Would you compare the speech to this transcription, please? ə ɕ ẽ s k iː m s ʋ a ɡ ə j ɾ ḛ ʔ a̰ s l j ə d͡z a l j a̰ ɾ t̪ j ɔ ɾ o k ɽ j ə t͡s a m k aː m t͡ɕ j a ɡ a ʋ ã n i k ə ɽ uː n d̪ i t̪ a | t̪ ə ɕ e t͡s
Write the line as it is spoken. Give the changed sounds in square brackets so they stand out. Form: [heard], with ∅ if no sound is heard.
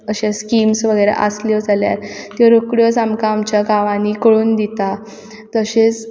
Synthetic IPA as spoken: ə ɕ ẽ s k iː m s ʋ [ə] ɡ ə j ɾ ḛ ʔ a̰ s l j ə d͡z a l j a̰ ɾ t̪ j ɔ ɾ o k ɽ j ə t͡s a m k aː m t͡ɕ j a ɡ a ʋ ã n i k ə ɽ uː n d̪ i t̪ a | t̪ ə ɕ e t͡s